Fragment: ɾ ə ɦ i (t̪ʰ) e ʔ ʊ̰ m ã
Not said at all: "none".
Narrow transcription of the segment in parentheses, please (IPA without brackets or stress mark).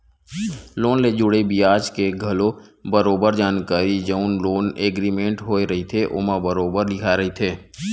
t̪ʰ